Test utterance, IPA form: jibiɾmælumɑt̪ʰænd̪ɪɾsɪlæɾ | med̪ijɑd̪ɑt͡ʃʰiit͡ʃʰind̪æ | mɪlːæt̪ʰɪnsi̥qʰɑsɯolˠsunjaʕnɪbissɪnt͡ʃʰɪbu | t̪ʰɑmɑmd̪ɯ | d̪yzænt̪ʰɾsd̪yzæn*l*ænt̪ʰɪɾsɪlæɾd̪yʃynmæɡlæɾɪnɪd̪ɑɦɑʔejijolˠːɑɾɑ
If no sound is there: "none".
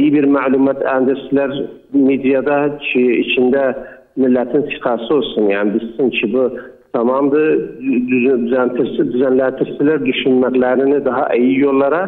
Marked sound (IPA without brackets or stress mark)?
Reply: l